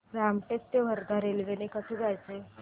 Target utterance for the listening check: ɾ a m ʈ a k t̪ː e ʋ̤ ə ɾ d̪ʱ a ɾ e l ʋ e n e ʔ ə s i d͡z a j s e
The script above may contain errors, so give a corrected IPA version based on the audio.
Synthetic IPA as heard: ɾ a m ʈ e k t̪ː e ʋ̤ ə ɾ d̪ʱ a ɾ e l ʋ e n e k ə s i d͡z a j t͡s e